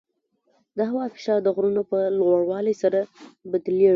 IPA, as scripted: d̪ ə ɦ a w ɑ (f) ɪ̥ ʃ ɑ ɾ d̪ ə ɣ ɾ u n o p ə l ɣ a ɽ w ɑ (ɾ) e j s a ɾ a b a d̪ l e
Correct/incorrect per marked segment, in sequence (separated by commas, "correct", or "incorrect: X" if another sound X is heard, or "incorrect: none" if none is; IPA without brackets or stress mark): correct, incorrect: l